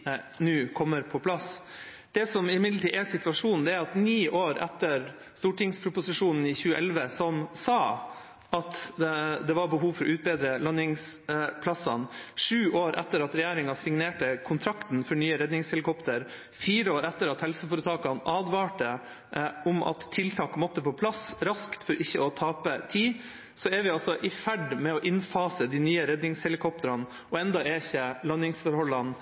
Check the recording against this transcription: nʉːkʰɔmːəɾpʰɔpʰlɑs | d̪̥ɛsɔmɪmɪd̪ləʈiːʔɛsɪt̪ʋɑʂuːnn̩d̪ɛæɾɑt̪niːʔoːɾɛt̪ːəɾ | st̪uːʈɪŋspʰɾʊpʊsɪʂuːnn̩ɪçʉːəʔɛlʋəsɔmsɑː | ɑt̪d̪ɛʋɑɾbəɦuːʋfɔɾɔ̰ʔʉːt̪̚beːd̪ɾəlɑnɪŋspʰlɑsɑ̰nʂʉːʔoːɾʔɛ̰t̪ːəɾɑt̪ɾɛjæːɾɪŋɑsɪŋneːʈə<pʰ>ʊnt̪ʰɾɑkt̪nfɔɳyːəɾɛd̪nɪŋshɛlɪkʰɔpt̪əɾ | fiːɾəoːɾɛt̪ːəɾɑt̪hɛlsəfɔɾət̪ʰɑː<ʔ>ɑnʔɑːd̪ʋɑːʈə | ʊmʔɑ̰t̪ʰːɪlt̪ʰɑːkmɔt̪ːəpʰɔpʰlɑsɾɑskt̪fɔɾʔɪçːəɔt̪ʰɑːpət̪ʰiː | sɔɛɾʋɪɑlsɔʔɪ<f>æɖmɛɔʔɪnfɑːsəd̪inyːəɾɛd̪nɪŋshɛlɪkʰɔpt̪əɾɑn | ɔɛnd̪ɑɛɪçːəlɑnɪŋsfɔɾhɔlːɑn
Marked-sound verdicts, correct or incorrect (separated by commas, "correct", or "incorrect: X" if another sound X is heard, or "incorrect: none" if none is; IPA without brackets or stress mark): incorrect: kʰ, incorrect: k, correct